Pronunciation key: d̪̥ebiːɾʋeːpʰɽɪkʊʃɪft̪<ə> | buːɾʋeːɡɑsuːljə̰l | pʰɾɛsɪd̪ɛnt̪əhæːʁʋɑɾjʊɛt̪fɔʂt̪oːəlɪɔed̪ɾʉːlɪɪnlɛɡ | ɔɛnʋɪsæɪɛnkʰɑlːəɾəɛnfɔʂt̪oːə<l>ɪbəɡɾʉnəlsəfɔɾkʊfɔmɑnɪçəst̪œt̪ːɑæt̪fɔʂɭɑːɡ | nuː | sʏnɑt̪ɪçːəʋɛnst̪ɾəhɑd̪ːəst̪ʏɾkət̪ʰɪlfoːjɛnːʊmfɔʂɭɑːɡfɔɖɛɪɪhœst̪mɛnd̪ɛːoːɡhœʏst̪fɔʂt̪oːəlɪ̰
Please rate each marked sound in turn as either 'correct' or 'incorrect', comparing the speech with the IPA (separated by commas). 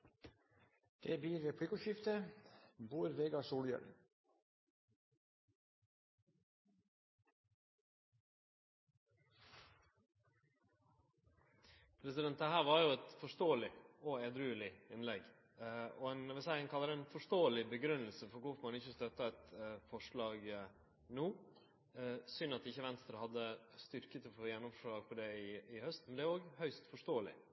correct, correct